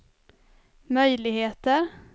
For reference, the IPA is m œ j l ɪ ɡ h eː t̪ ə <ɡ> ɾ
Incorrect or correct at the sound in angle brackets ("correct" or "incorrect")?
incorrect